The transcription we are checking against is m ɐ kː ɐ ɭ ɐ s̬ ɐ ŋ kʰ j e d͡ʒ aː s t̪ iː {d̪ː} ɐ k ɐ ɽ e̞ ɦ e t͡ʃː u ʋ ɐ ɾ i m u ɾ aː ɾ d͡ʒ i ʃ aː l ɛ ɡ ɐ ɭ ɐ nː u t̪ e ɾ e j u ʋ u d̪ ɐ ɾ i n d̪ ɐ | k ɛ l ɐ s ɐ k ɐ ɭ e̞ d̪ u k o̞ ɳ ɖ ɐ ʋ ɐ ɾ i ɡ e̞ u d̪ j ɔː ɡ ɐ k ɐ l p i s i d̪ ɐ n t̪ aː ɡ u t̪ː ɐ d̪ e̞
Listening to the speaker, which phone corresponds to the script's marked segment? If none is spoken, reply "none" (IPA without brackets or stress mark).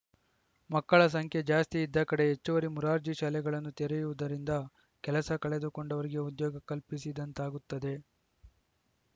d̪ː